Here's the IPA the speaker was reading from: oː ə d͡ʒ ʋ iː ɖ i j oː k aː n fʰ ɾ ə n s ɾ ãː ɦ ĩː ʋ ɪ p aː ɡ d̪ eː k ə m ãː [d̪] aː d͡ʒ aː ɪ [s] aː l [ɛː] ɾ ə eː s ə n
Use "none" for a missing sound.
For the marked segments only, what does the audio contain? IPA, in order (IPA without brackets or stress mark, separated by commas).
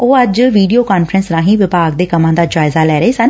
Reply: d̪, z, ɛː